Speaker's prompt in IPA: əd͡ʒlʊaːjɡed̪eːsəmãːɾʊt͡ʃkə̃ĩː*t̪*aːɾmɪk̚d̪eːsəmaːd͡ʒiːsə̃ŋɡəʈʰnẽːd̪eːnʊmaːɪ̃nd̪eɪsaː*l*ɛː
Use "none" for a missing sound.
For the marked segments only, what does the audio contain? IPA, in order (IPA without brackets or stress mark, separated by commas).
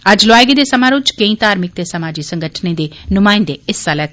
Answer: t̪, l